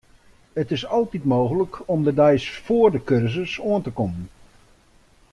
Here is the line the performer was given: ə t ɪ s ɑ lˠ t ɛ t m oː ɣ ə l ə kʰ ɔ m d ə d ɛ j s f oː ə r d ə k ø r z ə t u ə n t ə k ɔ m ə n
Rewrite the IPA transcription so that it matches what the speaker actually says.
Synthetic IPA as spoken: ə t ɪ s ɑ lˠ t i t m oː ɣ ə l ə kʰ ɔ m d ə d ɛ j s f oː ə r d ə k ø r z ə s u ə n t ə k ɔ m ə n